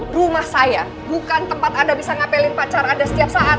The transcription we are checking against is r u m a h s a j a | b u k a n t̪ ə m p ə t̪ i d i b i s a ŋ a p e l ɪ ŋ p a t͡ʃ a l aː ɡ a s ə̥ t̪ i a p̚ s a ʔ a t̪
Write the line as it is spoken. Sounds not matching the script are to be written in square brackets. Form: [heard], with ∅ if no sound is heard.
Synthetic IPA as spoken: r u m a h s a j a | b u k a n t̪ ə m p [a] t̪ [a] d [a] b i s a ŋ a p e l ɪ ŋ p a t͡ʃ a [ɾ] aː [d] a s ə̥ t̪ i a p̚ s a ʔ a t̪